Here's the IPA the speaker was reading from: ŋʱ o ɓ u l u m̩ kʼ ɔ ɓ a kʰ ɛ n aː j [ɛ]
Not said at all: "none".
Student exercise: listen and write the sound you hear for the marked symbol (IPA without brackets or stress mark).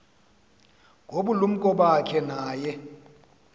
ɛ